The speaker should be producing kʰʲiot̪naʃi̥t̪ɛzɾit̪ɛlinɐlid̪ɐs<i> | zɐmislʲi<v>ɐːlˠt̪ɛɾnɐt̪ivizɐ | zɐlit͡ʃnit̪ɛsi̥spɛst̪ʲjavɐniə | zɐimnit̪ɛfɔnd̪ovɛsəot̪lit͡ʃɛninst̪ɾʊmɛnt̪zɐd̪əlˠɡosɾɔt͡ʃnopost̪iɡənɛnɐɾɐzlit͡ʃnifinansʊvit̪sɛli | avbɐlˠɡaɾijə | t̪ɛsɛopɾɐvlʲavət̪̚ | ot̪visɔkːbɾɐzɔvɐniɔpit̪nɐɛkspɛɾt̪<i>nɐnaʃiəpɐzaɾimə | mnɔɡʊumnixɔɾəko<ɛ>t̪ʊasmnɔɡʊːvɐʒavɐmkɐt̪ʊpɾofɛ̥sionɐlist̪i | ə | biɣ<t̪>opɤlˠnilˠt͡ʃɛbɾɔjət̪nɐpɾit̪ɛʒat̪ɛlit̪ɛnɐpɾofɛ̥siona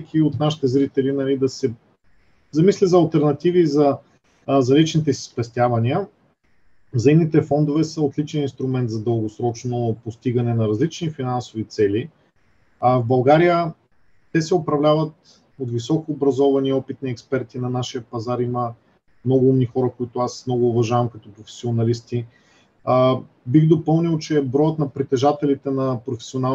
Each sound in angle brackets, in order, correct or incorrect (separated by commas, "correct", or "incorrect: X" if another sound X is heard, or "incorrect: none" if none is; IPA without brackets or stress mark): incorrect: ɛ, incorrect: z, correct, incorrect: i, incorrect: d̪